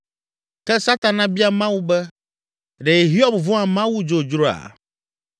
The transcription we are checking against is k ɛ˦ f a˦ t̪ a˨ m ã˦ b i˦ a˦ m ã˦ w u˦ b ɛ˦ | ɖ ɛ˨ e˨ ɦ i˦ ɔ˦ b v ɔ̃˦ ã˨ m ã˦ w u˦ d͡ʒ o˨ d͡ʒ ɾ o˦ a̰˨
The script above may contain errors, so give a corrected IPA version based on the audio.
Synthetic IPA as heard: k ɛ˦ s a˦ t̪ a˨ n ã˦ b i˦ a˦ m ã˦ w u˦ b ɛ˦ | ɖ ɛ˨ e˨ ɦ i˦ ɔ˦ b v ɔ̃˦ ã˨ m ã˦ w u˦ d͡ʒ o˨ d͡ʒ ɾ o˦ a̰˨